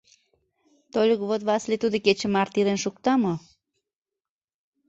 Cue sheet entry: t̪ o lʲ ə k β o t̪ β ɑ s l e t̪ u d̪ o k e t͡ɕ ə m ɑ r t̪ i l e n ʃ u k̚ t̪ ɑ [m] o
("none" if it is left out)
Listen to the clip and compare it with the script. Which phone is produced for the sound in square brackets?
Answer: m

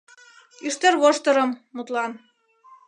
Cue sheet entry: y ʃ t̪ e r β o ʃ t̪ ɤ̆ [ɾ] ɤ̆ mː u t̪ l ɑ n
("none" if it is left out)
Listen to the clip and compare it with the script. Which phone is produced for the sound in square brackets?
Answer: ɾ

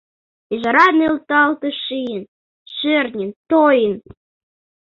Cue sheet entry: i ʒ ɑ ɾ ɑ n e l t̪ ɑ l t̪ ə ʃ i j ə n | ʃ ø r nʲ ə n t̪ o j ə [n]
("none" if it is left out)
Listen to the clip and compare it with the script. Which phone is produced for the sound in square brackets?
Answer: n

